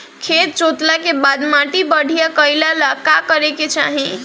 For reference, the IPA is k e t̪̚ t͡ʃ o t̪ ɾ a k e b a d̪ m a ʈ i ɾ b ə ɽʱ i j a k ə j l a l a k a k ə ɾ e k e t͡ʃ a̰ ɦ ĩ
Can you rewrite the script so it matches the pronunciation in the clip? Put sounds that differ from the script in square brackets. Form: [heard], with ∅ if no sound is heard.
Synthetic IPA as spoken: [kʰ] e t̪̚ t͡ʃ o t̪ [l] a k e b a d̪ m a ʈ i [∅] b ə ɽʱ i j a k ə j l a l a k a k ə ɾ e k e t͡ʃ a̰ ɦ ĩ

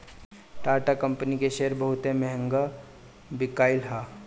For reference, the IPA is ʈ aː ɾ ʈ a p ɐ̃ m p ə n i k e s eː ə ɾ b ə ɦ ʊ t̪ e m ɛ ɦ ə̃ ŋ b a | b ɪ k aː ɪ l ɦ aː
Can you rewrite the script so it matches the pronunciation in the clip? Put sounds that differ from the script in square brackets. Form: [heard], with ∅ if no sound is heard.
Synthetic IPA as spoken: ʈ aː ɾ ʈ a [k] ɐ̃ m p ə n i k e [ʃ] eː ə ɾ b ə ɦ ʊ t̪ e m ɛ ɦ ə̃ ŋ [ɡ] a | b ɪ k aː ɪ l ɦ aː

